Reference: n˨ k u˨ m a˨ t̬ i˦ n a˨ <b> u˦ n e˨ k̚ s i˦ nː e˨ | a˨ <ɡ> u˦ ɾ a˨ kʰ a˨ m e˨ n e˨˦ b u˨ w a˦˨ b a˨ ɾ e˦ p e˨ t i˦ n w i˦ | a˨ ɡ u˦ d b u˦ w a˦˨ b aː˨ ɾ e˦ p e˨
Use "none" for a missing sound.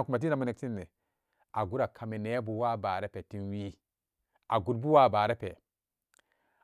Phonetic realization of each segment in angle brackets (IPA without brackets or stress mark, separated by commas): m, ɡ